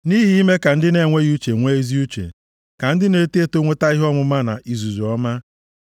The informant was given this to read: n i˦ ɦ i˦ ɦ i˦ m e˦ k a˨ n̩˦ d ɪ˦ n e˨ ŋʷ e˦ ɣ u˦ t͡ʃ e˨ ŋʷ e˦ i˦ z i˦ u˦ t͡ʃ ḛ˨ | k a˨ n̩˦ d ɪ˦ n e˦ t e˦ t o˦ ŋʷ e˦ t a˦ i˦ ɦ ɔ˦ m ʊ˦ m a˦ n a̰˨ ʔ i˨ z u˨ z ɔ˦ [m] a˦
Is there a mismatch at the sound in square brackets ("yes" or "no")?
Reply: no